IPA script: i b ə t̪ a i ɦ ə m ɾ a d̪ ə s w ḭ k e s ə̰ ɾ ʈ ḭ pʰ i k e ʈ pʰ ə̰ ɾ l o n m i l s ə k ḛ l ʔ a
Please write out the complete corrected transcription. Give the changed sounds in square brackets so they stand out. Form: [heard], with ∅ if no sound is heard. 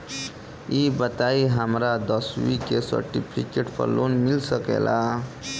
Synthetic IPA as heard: i b ə t̪ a i ɦ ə m ɾ a d̪ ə s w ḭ k e s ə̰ ɾ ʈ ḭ pʰ i k e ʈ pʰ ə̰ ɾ l o n m i l s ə k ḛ l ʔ a